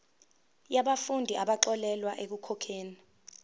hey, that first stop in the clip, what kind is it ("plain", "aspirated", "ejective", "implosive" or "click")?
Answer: implosive